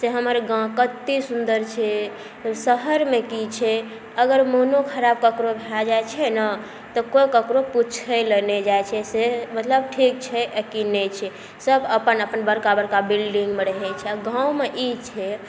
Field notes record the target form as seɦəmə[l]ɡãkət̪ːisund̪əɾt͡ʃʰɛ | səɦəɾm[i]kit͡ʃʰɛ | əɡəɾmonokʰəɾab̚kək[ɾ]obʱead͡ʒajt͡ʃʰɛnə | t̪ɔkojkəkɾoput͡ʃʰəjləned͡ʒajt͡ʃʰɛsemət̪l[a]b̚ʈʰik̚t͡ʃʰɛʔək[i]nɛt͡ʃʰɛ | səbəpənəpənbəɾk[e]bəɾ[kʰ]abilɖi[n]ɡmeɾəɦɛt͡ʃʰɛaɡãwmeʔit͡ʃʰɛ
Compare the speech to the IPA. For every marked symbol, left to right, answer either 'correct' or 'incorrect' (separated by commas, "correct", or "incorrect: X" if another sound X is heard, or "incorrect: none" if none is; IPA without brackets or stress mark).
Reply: incorrect: ɾ, incorrect: e, correct, incorrect: ə, correct, incorrect: a, incorrect: k, incorrect: ŋ